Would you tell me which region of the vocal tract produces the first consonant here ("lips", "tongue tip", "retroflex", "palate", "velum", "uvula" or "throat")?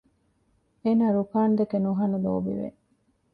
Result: tongue tip